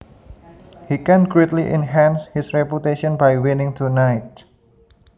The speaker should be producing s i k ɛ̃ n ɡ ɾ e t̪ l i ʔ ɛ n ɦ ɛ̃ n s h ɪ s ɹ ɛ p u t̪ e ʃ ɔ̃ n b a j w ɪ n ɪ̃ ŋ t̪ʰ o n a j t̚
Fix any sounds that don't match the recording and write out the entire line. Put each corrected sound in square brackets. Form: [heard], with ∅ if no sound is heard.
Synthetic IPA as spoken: [h] i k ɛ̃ n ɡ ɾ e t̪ l i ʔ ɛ n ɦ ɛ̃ n s h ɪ s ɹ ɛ p u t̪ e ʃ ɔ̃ n b a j w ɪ n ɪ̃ ŋ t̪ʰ [u] n a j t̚